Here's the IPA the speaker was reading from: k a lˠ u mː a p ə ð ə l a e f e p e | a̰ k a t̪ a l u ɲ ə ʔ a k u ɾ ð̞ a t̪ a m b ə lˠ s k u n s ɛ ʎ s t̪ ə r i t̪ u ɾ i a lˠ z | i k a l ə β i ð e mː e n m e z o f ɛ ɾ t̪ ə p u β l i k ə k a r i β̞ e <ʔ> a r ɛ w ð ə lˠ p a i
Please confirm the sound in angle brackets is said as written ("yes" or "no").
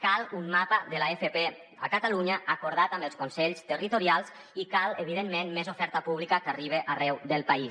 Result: yes